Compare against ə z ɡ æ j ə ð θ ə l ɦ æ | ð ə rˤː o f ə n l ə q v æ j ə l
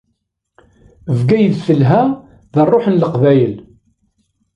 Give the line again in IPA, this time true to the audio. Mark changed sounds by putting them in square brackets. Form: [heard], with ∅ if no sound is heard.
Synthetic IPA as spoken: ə [v] ɡ æ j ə ð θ ə l ɦ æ | ð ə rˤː o [ħ] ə n l ə q v æ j ə l